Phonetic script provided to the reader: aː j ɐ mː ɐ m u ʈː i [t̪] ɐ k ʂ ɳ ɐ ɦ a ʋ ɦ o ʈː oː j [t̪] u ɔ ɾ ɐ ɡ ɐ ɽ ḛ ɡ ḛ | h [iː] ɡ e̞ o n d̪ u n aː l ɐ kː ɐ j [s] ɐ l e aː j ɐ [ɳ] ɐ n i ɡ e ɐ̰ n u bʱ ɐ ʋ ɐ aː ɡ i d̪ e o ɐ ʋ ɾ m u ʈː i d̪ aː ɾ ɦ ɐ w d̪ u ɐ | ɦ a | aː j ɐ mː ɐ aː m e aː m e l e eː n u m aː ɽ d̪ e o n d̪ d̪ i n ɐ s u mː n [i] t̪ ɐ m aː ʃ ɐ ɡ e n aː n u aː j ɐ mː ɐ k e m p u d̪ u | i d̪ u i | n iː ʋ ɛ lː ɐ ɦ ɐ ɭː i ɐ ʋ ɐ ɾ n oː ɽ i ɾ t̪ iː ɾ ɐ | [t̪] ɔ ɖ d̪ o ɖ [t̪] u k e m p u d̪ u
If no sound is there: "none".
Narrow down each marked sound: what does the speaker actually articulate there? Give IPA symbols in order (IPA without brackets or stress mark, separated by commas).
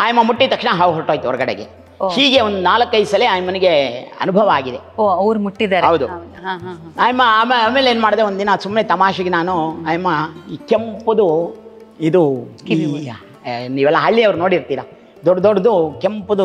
t̪, t̪, iː, s, m, e, d̪, d̪